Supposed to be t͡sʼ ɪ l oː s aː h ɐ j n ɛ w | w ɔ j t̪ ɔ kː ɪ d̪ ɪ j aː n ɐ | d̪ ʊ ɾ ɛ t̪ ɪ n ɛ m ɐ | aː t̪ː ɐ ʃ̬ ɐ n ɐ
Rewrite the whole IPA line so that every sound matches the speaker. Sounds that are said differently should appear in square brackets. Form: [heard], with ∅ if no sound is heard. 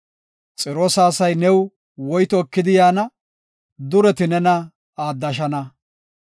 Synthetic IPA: t͡sʼ ɪ [ɾ] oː s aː [s] ɐ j n ɛ w | w ɔ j t̪ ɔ kː ɪ d̪ ɪ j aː n ɐ | d̪ ʊ ɾ ɛ t̪ ɪ n ɛ [n] ɐ | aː [d̪ː] ɐ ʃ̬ ɐ n ɐ